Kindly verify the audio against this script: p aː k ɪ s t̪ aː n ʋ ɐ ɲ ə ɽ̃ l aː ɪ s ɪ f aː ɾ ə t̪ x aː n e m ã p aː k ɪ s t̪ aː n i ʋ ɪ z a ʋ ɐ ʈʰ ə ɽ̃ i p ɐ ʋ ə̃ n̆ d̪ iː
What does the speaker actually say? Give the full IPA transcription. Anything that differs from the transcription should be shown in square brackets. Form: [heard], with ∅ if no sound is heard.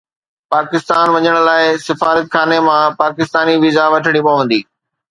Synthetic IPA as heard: p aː k ɪ s t̪ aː n ʋ ɐ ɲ ə ɽ̃ l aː ɪ s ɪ f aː ɾ ə t̪ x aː n e m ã p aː k ɪ s t̪ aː n i ʋ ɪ z a ʋ ɐ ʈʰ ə ɽ̃ i p ɐ ʋ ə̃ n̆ d̪ iː